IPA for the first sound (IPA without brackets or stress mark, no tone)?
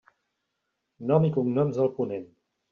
n